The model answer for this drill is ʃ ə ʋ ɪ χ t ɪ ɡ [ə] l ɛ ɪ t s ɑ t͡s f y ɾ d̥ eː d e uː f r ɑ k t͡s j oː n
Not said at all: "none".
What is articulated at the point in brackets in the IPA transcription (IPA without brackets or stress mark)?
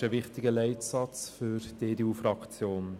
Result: ə